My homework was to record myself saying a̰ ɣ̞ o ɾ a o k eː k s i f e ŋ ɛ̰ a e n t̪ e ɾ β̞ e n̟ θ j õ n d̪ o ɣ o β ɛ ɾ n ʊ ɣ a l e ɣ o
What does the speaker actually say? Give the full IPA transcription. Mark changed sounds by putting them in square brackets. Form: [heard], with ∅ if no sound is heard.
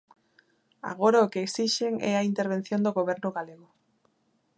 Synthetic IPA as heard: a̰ ɣ̞ o ɾ a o k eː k s i [ʃ] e ŋ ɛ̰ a [i] n t̪ e ɾ β̞ e n̟ θ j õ n d̪ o ɣ o β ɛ ɾ n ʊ ɣ a l e ɣ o